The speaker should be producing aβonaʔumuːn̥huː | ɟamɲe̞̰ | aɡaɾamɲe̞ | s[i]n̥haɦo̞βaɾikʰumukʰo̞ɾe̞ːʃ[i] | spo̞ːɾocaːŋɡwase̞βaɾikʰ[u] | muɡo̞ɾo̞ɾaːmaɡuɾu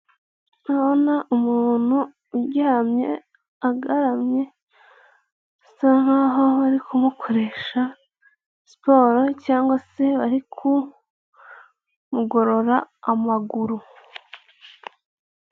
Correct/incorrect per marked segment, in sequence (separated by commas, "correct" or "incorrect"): incorrect, incorrect, correct